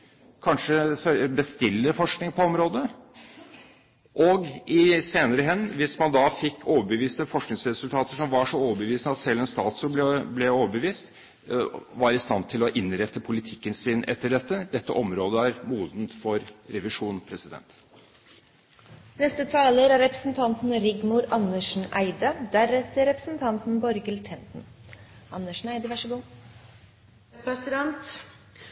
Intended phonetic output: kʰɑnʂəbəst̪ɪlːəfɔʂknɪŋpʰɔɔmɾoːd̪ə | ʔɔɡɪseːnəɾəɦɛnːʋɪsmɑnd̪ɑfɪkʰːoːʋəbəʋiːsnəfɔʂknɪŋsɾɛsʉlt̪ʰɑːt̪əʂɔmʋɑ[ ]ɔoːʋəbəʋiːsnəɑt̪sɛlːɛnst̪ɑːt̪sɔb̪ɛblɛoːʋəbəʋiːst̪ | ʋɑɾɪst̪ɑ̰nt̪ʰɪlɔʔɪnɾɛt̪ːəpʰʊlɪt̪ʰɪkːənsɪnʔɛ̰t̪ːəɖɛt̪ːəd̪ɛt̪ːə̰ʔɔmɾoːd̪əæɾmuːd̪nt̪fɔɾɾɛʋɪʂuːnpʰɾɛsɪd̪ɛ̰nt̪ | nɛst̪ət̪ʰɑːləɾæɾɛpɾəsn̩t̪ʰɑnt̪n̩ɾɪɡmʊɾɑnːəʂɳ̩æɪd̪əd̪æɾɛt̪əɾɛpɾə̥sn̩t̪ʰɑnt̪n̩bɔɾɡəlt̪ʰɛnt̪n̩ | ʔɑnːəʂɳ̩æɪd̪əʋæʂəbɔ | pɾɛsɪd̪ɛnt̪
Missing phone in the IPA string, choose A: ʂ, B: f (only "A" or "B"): A